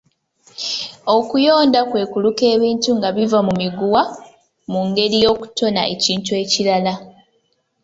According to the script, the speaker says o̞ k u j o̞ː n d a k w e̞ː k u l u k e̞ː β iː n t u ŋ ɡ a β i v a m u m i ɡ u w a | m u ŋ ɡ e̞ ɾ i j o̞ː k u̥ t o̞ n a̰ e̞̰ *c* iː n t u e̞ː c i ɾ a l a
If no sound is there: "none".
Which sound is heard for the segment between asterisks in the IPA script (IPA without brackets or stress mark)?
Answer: c